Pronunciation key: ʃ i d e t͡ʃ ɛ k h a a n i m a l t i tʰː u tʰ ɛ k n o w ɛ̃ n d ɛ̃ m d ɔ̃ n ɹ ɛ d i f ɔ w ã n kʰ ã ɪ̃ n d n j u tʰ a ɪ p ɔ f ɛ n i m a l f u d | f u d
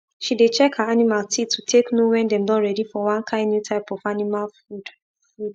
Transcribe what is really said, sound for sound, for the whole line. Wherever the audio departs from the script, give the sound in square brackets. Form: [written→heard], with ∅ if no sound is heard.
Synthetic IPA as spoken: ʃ i d e t͡ʃ ɛ k h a a n i m a l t i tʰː u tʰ [ɛ→e] k n o w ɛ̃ n d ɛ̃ m d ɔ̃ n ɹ ɛ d i f ɔ w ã n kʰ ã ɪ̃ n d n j u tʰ a ɪ p ɔ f [ɛ→a] n i m a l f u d | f u d